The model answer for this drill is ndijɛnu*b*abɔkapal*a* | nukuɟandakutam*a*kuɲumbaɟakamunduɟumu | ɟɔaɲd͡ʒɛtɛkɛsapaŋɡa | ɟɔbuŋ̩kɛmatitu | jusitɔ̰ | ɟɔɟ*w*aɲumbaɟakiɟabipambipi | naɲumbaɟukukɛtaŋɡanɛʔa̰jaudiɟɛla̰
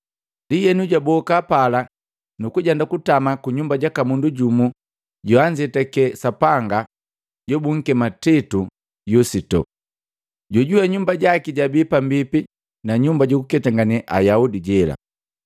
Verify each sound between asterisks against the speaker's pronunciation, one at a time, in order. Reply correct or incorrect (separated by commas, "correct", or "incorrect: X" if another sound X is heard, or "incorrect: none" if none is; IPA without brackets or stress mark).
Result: incorrect: ɟ, correct, correct, incorrect: u